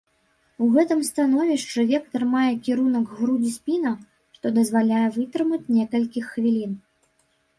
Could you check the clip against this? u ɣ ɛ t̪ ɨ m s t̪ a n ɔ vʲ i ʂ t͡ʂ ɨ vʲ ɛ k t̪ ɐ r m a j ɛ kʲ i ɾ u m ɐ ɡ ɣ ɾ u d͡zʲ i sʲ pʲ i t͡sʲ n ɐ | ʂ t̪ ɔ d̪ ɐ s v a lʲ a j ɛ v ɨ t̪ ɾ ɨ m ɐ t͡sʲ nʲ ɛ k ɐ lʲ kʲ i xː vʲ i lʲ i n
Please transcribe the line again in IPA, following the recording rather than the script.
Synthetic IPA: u ɣ ɛ t̪ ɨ m s t̪ a n ɔ vʲ i ʂ t͡ʂ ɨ vʲ ɛ k t̪ ɐ r m a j ɛ kʲ i ɾ u n ɐ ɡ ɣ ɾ u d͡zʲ i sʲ pʲ i n ɐ | ʂ t̪ ɔ d̪ ɐ z v a lʲ a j ɛ v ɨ t̪ ɾ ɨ m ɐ t͡sʲ nʲ ɛ k ɐ lʲ kʲ i xː vʲ i lʲ i n